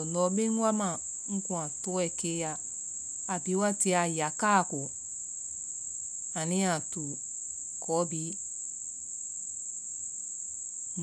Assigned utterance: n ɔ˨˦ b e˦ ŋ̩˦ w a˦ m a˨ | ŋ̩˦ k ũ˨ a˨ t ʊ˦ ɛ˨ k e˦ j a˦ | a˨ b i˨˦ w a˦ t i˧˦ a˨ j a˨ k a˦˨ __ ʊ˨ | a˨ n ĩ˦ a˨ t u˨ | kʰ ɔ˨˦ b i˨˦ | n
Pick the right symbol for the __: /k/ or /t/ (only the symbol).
k